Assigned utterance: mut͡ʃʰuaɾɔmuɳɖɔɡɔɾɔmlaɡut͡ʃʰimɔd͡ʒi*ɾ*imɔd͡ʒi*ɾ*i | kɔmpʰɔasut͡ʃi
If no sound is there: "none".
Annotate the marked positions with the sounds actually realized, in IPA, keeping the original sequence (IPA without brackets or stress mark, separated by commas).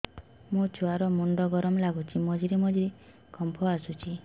ɾ, ɾ